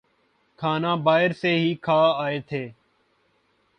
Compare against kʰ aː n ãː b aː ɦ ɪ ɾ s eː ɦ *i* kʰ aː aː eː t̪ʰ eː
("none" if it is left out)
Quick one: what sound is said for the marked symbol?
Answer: iː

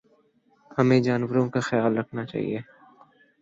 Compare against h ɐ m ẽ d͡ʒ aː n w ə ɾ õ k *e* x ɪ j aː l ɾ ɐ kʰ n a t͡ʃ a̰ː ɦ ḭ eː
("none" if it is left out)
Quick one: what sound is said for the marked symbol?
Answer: a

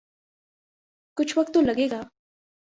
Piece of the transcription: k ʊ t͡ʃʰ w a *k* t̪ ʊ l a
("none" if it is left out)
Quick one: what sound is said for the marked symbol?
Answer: k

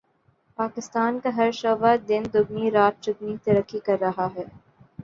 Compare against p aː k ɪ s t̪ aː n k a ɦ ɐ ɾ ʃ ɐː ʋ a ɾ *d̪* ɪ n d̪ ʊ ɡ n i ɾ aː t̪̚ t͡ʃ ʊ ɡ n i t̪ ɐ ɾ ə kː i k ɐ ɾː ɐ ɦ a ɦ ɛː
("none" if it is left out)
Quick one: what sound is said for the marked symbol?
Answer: d̪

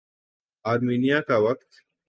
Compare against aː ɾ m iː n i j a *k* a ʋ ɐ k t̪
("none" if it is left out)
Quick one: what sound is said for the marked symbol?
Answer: k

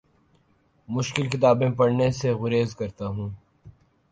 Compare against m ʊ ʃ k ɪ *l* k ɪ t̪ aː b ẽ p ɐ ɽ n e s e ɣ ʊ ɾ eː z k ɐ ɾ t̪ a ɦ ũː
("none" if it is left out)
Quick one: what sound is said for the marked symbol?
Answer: l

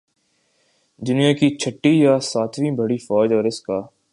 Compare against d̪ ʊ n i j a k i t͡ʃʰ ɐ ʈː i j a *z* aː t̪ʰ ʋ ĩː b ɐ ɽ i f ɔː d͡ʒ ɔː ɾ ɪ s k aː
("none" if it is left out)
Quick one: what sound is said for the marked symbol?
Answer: s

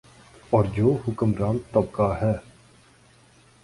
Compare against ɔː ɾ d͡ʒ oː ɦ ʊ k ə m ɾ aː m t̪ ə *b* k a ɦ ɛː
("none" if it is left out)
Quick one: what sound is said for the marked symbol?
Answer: b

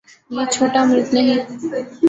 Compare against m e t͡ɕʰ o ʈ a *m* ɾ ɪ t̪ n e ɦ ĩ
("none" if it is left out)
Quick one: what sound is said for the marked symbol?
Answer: m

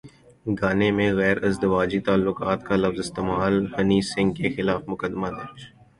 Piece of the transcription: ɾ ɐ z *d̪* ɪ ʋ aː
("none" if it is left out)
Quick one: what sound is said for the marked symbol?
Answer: d̪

